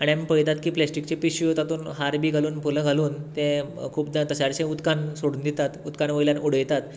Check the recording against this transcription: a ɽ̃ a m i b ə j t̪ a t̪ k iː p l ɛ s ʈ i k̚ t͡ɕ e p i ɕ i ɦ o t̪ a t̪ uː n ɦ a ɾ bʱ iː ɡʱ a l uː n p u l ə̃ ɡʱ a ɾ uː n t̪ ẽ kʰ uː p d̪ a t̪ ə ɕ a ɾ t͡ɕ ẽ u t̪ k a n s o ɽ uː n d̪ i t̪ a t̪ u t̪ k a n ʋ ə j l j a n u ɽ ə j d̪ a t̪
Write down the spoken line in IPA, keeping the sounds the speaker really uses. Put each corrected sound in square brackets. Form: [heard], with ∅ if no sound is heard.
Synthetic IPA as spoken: a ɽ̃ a m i [p] ə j t̪ a t̪ k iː p l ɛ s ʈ i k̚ t͡ɕ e p i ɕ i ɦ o t̪ a t̪ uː n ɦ a ɾ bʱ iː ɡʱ a l uː n p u l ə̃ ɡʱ a [l] uː n t̪ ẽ kʰ uː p d̪ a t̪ ə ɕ a ɾ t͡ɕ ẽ u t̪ k a n s o ɽ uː n d̪ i t̪ a t̪ u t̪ k a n ʋ ə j l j a n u ɽ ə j [t̪] a t̪